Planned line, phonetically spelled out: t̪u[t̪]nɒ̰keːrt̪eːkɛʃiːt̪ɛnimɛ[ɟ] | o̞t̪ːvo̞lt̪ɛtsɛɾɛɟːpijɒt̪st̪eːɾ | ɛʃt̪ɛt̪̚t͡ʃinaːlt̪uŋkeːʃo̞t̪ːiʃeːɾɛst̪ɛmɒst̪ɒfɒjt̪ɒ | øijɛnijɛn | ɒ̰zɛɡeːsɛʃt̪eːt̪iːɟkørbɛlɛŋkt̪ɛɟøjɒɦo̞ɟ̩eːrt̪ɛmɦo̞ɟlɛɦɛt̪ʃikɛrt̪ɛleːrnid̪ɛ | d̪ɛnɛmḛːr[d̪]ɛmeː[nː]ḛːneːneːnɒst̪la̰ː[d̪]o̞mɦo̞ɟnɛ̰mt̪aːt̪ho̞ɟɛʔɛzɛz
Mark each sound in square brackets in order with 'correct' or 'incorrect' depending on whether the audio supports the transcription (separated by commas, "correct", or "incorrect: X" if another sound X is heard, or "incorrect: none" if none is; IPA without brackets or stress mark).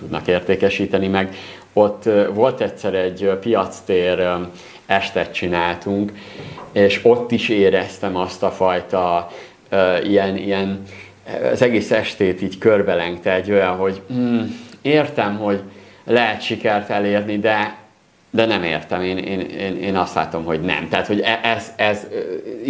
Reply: incorrect: d̪, incorrect: ɡ, incorrect: t̪, incorrect: n, incorrect: t̪